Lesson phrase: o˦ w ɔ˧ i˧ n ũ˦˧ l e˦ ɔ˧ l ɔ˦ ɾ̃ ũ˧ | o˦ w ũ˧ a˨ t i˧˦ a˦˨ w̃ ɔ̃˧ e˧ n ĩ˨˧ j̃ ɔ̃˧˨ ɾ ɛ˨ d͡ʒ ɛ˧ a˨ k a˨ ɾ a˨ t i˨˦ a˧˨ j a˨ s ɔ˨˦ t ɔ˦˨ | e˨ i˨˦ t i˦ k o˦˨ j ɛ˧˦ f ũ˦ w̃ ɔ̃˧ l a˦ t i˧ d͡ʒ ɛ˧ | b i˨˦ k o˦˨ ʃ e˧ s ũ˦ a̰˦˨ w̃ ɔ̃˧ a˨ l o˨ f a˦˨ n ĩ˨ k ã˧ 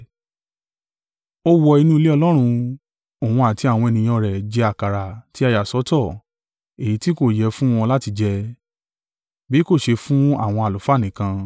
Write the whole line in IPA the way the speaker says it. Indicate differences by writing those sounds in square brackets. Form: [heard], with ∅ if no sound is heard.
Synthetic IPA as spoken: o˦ w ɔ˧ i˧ n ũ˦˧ l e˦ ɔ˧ l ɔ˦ ɾ̃ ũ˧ | [o˨] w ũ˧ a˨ t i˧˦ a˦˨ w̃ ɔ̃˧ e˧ n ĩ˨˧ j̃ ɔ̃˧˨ ɾ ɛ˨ d͡ʒ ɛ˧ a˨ k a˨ ɾ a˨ t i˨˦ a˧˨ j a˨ s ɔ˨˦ t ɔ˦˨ | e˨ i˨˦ t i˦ k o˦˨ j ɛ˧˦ f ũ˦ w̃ ɔ̃˧ l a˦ t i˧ d͡ʒ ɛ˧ | b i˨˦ k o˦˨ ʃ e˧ [f] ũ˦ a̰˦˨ w̃ ɔ̃˧ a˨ l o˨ f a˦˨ n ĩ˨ k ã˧

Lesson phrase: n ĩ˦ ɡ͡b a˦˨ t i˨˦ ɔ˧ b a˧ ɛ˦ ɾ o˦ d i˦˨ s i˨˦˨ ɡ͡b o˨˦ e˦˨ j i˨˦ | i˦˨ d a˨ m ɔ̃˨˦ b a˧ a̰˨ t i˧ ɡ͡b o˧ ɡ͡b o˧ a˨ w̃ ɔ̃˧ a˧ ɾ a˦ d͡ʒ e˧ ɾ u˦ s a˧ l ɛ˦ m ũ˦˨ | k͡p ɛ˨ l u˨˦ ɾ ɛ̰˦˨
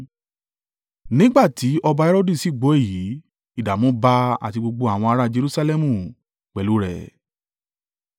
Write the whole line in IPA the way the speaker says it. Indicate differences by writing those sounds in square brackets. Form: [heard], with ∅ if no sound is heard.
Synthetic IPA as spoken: n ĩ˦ ɡ͡b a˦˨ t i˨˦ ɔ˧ b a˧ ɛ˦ ɾ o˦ d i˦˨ s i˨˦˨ ɡ͡b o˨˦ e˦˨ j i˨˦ | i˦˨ d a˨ m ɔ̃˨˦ b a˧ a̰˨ t i˧ ɡ͡b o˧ ɡ͡b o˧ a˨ w̃ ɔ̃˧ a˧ ɾ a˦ d͡ʒ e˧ ɾ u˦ s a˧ l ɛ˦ m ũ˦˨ | k͡p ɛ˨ l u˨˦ ɾ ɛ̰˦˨

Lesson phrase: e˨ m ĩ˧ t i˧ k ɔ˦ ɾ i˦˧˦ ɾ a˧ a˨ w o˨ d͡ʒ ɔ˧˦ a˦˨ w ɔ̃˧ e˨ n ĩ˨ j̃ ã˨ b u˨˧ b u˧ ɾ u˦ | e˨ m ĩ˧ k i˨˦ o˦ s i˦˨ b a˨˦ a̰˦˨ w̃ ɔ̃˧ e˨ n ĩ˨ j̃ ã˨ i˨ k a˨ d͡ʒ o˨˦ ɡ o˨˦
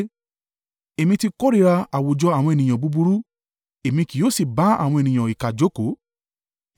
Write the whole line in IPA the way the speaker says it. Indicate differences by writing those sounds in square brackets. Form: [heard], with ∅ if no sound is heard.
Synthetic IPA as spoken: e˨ m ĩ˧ t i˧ k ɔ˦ ɾ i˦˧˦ ɾ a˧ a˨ w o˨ d͡ʒ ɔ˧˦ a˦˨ w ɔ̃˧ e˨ n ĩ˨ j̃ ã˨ b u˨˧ b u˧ ɾ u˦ | e˨ m ĩ˧ k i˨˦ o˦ s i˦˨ b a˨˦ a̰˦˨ w̃ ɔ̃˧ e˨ n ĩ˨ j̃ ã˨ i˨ k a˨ d͡ʒ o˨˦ [k] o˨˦

